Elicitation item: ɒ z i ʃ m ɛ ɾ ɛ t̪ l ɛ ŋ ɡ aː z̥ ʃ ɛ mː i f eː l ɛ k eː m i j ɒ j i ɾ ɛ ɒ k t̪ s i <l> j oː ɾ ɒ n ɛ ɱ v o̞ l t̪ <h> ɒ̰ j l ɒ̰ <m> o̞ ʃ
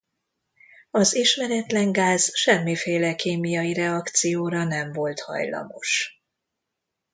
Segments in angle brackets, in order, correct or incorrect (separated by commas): incorrect, correct, correct